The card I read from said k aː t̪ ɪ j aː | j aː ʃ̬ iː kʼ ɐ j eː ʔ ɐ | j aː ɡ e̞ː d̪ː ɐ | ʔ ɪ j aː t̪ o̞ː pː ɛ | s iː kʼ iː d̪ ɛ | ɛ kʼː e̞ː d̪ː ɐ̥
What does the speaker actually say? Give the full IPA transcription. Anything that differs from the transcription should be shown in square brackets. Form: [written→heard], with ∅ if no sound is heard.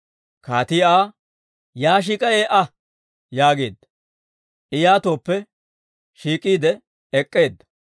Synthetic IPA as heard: k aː t̪ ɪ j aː | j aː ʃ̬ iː kʼ ɐ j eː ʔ ɐ | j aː ɡ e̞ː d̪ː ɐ | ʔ ɪ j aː t̪ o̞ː pː ɛ | [s→ʃ] iː kʼ iː d̪ ɛ | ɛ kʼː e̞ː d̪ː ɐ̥